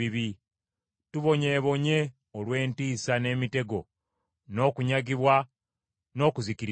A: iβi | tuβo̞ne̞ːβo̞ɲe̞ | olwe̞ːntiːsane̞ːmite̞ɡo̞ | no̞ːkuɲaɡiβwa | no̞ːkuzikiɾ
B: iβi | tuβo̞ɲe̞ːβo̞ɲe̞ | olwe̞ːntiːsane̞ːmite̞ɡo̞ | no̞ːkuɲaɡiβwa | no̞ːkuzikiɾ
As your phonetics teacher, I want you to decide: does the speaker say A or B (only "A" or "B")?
B